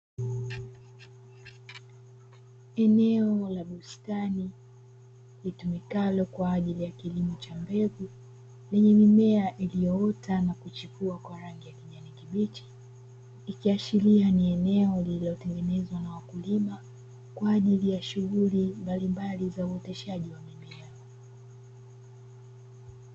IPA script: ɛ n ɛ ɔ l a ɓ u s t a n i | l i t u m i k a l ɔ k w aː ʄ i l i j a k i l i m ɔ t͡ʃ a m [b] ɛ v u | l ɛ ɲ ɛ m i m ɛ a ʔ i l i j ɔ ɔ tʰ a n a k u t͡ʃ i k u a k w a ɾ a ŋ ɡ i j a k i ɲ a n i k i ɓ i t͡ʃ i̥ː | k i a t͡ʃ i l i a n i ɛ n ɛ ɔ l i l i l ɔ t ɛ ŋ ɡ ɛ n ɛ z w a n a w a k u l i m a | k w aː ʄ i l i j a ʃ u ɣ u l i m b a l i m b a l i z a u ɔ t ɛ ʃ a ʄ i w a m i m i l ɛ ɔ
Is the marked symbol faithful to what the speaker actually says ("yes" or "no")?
yes